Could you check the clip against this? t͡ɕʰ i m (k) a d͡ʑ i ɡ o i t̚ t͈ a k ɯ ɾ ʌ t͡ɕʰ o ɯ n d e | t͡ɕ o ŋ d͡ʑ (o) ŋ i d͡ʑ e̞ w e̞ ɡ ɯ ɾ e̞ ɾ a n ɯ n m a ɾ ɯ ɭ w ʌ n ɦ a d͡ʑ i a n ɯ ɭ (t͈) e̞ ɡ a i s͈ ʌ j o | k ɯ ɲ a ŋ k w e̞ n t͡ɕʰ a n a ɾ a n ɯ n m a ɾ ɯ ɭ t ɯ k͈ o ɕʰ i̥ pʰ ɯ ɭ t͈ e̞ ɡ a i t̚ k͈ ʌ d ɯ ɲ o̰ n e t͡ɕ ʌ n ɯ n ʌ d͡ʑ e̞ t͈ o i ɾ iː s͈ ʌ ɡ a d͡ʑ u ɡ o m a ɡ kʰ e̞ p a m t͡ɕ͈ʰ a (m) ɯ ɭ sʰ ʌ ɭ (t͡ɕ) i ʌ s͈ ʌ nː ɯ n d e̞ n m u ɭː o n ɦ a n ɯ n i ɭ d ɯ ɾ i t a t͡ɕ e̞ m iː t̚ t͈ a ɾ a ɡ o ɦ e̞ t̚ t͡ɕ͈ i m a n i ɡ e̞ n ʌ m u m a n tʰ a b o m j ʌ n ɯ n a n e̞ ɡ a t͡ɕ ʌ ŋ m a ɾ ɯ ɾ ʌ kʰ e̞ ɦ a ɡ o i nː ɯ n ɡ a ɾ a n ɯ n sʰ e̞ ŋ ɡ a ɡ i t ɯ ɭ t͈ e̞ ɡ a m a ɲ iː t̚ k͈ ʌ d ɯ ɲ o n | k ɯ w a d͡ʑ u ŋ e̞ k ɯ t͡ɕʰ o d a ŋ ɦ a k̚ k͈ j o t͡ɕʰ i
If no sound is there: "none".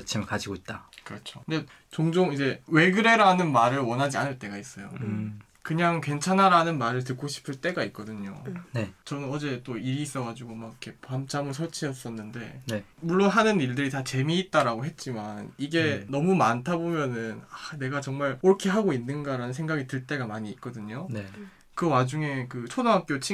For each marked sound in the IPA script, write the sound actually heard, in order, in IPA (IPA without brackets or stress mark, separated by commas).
k, o, t͈, m, t͡ɕʰ